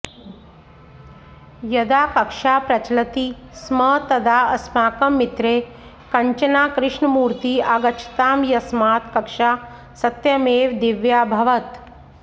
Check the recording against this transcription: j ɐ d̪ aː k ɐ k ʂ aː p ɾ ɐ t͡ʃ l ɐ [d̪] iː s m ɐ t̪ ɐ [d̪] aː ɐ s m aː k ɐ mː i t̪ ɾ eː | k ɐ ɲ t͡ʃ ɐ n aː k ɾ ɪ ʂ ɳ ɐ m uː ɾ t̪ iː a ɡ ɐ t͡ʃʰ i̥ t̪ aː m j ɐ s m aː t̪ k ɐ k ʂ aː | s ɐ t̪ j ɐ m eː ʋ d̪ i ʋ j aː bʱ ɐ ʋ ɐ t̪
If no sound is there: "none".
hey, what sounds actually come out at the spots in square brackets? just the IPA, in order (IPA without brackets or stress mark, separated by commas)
t̪, d̪